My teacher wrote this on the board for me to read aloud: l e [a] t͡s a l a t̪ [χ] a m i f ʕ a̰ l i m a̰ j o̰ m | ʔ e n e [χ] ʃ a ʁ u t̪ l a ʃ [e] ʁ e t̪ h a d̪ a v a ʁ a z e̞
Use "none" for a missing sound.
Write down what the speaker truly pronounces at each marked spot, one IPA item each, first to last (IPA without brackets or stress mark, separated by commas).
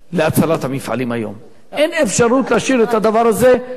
a, h, f, i